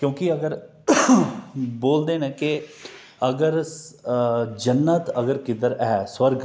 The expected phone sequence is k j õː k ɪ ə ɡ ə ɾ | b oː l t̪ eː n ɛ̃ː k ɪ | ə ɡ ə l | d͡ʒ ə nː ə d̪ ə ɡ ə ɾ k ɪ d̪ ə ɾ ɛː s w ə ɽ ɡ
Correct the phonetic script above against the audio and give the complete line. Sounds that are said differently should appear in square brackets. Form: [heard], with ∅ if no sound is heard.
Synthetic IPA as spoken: k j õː k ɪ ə ɡ ə ɾ | b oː l [d̪] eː n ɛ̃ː k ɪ | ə ɡ ə [ɾ] | d͡ʒ ə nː ə [t̪] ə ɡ ə ɾ k ɪ d̪ ə ɾ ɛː s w ə [ɾ] ɡ